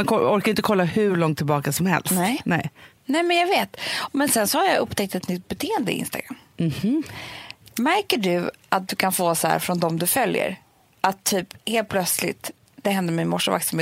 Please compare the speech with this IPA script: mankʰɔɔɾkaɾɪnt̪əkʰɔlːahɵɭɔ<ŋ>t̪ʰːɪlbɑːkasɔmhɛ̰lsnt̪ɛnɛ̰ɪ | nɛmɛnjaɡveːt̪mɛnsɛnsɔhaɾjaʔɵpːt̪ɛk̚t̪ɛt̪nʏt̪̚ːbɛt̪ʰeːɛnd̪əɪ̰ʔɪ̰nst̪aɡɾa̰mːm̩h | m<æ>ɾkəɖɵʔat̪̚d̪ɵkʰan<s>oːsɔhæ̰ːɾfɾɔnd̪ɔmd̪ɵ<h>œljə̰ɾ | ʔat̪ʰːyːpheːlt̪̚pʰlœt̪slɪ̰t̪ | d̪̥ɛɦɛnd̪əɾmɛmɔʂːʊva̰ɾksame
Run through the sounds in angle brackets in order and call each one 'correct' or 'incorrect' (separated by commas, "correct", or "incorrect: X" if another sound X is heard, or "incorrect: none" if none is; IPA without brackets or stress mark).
correct, correct, incorrect: f, incorrect: f